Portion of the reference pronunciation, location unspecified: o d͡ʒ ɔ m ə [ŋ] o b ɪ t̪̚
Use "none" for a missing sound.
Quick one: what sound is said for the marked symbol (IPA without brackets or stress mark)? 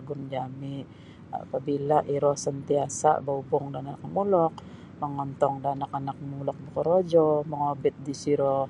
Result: ŋ